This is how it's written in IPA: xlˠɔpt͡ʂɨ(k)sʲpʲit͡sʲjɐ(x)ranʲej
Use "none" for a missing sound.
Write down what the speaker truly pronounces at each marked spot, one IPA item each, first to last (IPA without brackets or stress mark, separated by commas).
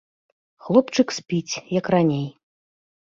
k, k